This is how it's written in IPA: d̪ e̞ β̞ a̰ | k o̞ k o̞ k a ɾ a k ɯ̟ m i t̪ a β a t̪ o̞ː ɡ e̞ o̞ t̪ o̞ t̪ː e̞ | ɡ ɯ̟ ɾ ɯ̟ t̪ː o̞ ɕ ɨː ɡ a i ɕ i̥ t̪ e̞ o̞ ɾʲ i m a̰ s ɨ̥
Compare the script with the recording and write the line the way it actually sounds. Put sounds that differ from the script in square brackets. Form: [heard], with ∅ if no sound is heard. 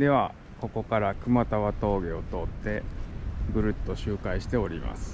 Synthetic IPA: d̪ e̞ β̞ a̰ | k o̞ k o̞ k a ɾ a k ɯ̟ m [a] t̪ a β a t̪ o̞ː ɡ e̞ o̞ t̪ o̞ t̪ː e̞ | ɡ ɯ̟ ɾ ɯ̟ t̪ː o̞ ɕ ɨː [k] a i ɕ i̥ t̪ e̞ o̞ ɾʲ i m a̰ s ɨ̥